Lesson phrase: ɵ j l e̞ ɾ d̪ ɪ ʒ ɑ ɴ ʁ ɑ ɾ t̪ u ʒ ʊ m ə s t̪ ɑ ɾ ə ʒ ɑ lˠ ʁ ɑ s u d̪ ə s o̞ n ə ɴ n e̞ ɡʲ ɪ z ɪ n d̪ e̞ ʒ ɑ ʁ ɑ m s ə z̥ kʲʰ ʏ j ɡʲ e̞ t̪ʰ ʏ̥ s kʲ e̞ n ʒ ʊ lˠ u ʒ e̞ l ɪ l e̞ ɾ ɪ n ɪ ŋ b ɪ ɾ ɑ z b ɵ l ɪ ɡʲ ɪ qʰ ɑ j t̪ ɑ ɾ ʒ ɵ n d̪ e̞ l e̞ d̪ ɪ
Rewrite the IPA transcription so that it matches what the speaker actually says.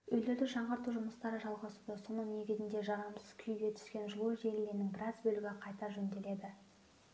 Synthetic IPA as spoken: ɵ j l e̞ ɾ d̪ ɪ ʒ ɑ ɴ ʁ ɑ ɾ t̪ u ʒ ʊ m ə s t̪ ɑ ɾ ə ʒ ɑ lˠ ʁ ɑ s u d̪ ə s o̞ n ə ɴ n e̞ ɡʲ ɪ z ɪ n d̪ e̞ ʒ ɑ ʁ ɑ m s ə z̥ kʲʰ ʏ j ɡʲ e̞ t̪ʰ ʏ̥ s kʲ e̞ n ʒ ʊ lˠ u ʒ e̞ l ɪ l e̞ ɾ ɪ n ɪ ŋ b ɪ ɾ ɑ z b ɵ l ɪ ɡʲ ɪ qʰ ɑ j t̪ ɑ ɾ ʒ ɵ n d̪ e̞ l e̞ d̪ ɪ